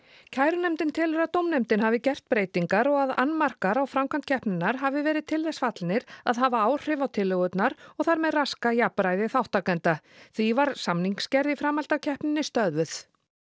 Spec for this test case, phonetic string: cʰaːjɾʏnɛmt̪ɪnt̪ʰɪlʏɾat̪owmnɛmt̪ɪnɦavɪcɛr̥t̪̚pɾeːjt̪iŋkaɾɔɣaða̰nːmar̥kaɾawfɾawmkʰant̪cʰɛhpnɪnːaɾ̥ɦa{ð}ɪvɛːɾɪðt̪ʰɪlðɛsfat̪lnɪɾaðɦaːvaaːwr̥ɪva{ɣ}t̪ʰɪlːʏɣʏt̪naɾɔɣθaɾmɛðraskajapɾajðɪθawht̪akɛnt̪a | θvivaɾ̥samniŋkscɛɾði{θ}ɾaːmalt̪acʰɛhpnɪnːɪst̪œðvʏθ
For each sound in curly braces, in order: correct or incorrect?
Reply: incorrect: v, incorrect: w, incorrect: f

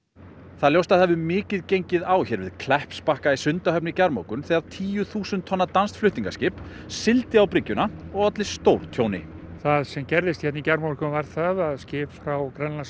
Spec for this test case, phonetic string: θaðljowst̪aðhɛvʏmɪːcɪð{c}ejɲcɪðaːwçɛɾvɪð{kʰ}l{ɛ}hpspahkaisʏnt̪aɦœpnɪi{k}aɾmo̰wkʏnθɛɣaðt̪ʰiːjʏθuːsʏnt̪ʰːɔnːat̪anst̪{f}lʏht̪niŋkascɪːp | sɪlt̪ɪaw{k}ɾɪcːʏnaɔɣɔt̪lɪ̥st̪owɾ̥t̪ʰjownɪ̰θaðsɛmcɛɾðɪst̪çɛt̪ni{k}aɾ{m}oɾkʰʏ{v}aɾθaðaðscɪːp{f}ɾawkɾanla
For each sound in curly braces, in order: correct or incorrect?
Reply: correct, correct, correct, incorrect: c, correct, incorrect: p, incorrect: c, correct, correct, correct

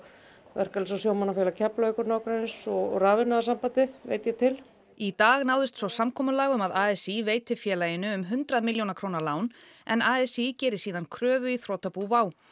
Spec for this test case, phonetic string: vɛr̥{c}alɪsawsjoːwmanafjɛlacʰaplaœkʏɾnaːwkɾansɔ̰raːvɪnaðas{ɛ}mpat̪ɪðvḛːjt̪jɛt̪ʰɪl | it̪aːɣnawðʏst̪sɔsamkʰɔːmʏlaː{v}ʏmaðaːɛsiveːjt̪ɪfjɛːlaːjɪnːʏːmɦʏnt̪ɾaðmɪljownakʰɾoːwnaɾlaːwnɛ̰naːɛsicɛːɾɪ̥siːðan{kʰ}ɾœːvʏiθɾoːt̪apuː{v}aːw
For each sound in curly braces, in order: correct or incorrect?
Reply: incorrect: k, incorrect: a, incorrect: ɣ, correct, correct

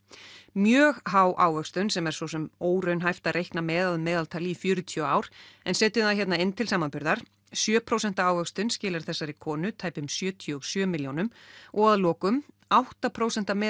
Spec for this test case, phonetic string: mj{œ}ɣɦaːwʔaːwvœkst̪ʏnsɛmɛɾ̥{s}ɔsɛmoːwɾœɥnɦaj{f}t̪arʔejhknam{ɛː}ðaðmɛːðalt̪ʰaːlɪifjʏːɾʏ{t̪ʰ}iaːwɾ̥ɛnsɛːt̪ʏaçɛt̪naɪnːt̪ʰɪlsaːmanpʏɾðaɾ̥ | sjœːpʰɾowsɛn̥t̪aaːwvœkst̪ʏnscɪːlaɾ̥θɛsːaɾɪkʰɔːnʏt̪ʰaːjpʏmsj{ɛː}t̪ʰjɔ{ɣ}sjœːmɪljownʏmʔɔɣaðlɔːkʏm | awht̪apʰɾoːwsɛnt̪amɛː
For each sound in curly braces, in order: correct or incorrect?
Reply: incorrect: œː, correct, correct, correct, correct, incorrect: œː, correct

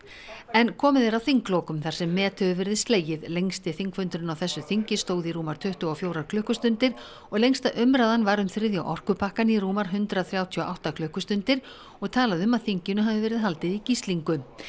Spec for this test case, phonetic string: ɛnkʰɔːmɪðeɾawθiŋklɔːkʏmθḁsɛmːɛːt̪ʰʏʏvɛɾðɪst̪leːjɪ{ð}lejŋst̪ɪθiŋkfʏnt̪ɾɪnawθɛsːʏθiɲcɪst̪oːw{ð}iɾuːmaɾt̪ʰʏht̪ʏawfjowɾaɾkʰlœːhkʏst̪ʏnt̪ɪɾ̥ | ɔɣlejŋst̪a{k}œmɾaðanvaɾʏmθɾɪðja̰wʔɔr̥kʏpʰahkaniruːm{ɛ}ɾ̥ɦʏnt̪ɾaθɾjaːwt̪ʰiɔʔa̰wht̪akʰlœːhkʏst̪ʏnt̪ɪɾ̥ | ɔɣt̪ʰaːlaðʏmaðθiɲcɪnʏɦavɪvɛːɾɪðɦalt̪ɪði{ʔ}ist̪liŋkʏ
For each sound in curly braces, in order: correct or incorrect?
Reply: correct, correct, incorrect: ʔ, incorrect: a, incorrect: c

